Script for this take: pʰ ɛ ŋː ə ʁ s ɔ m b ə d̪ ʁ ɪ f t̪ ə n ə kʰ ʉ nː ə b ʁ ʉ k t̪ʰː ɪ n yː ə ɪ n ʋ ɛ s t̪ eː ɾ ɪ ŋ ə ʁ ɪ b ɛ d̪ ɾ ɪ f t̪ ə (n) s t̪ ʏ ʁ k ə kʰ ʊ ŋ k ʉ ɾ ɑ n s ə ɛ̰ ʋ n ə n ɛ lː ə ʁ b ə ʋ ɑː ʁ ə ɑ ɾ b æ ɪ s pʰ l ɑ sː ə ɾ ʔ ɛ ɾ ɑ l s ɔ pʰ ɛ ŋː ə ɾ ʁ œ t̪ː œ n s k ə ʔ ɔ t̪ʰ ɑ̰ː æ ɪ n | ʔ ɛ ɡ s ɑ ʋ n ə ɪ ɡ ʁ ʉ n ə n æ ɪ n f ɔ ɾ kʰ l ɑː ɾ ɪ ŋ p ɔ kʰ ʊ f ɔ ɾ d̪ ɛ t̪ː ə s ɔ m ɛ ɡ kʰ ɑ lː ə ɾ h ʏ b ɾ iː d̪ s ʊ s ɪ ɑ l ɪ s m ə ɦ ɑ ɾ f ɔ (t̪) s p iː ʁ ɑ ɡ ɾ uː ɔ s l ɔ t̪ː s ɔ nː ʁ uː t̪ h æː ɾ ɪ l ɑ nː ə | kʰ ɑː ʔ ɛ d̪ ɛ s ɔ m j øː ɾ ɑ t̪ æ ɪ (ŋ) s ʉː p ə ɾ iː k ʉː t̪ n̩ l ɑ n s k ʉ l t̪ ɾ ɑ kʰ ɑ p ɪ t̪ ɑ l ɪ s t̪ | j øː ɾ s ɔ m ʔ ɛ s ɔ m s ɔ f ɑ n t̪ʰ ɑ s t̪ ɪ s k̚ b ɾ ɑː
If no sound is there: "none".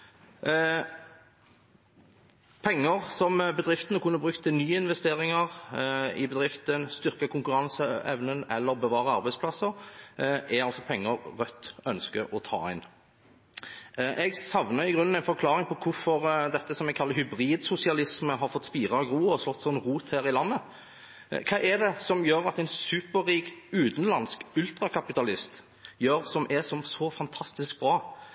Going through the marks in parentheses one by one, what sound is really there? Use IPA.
n, t̪, n

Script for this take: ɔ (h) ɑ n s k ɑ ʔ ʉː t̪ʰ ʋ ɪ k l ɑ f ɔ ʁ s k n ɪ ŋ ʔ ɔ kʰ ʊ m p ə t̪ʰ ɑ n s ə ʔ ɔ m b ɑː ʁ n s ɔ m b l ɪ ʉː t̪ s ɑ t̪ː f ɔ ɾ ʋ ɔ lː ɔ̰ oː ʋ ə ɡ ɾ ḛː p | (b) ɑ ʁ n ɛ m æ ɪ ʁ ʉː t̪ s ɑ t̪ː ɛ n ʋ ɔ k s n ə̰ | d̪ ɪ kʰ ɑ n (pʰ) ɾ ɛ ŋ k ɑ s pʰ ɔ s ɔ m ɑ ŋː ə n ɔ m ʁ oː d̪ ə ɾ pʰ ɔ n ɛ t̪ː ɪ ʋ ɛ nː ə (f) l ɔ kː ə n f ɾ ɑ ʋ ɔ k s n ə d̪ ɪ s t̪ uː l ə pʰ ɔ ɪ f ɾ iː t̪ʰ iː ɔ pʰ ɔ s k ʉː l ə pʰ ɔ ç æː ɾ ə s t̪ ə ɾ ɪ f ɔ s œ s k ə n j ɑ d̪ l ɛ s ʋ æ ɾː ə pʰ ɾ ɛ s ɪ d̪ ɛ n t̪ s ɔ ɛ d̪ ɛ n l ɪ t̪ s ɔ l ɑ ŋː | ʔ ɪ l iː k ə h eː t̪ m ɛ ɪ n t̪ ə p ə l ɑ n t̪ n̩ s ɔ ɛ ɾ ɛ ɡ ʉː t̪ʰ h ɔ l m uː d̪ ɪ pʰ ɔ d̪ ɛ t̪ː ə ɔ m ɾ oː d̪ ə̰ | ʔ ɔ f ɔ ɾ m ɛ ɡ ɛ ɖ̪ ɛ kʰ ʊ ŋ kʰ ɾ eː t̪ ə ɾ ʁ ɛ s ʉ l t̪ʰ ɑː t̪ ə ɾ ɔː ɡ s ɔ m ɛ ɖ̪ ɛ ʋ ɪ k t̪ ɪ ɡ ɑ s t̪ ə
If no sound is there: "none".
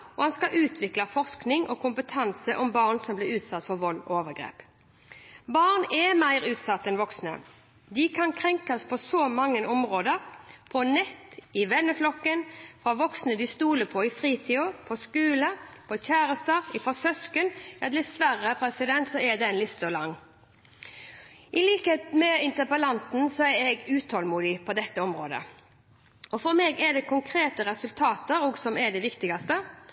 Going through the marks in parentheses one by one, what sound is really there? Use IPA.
h, b, kʰ, f

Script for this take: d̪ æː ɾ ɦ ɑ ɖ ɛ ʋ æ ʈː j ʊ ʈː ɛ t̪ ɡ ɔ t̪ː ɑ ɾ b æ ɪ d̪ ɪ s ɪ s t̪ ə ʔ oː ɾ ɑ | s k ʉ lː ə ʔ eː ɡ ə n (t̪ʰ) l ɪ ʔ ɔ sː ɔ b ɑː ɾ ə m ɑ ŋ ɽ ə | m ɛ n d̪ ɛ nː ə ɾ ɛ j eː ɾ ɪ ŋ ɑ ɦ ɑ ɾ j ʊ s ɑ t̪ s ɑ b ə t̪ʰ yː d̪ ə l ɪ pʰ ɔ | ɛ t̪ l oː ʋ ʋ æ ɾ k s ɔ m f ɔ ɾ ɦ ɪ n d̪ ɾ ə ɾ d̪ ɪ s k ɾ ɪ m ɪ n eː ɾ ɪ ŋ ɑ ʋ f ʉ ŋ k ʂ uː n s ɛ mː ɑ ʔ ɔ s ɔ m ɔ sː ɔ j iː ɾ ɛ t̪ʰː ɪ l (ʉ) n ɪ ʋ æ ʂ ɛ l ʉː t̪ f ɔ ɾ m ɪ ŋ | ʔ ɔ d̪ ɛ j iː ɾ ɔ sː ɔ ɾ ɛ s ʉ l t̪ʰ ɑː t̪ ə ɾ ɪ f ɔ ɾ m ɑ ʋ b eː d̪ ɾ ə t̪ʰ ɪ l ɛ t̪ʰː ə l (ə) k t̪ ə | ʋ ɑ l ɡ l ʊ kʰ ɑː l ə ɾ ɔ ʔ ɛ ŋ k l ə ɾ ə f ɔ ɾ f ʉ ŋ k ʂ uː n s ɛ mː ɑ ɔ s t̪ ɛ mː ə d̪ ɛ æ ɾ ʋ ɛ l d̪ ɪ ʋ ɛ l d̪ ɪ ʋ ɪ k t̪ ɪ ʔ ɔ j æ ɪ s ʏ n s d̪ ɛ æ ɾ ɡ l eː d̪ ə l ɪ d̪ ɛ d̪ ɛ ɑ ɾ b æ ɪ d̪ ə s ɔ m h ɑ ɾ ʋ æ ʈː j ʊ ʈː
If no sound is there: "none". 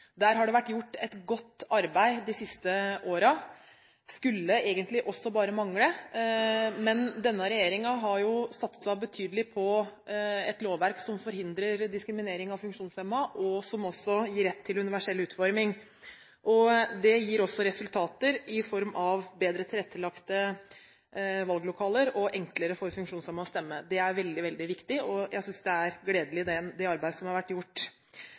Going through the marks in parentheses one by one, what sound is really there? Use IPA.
t̪, ʉ, ɑ

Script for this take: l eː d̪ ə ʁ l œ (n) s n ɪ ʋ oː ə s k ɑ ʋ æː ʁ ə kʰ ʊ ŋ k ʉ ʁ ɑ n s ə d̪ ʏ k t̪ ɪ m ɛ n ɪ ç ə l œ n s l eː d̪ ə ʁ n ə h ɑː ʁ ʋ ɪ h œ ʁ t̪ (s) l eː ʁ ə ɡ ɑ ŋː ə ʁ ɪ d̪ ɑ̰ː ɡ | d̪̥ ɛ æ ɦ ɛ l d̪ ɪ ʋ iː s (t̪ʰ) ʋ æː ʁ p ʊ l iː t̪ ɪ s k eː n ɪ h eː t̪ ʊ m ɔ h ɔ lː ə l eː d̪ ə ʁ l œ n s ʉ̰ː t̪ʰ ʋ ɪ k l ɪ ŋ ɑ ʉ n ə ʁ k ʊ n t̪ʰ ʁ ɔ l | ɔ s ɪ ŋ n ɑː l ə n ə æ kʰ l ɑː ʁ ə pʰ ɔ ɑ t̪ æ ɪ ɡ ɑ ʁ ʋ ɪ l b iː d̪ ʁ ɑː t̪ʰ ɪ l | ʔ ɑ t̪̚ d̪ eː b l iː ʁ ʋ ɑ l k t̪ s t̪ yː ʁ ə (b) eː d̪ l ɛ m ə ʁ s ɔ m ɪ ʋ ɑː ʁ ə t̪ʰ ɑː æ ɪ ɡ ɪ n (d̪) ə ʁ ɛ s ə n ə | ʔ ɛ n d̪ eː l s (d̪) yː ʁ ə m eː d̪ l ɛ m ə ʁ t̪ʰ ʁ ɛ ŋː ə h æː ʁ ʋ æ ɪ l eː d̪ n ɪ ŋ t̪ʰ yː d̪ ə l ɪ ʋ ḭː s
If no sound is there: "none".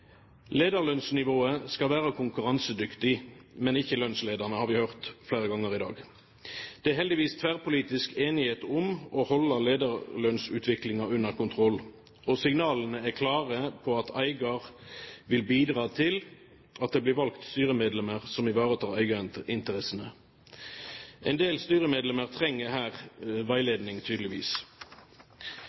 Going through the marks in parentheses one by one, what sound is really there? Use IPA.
n, f, t̪ʰ, m, t̪, t̪

